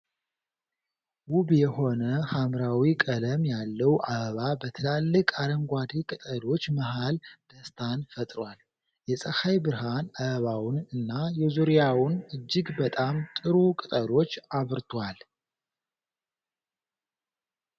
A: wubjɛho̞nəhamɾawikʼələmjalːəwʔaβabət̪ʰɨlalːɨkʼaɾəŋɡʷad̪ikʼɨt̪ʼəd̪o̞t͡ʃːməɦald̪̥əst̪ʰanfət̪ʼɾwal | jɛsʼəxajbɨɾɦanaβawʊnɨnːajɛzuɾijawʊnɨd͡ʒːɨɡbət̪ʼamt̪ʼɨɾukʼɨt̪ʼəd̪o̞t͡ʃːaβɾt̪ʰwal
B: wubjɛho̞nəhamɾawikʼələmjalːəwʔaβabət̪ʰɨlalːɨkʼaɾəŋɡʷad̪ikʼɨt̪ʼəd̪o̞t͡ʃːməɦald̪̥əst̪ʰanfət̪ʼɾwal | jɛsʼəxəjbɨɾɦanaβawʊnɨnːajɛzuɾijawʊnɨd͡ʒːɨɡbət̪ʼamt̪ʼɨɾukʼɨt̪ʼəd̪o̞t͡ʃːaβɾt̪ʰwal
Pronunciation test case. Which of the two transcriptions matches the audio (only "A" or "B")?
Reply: A